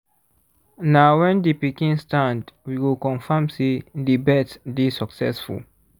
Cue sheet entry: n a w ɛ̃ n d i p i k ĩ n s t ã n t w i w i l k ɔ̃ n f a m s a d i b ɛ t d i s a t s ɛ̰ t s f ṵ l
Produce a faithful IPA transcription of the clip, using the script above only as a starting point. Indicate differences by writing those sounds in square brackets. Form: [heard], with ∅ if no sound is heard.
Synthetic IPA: n a w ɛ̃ n d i p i k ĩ n s t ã n [d] w i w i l k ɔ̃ n f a m s [e] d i b ɛ t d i s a [k] s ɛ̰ [∅] s f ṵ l